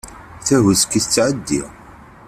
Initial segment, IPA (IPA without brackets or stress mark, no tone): θ